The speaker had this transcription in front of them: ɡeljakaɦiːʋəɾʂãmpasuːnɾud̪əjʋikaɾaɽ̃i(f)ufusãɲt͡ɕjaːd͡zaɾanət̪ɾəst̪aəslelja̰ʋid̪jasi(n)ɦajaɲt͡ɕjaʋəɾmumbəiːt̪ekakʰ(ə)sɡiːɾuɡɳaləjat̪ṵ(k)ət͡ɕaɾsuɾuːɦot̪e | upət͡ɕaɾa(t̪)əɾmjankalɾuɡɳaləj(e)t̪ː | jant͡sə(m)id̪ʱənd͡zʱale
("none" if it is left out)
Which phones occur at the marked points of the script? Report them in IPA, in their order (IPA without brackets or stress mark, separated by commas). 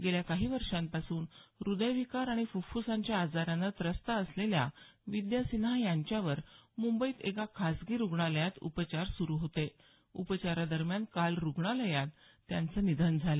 f, n, a, p, d̪, a, n